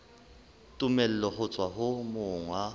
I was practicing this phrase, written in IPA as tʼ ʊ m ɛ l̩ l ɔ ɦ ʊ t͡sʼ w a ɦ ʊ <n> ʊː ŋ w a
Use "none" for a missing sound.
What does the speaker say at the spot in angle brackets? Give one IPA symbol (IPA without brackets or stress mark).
m